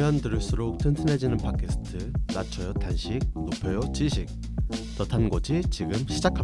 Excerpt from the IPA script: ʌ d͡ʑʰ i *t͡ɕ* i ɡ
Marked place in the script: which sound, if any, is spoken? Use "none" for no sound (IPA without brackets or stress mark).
t͡ɕ